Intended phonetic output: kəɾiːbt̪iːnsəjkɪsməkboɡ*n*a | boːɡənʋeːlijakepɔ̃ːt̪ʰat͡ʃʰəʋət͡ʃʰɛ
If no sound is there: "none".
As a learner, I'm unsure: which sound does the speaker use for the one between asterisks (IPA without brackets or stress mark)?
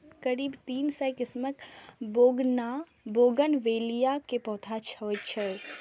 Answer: n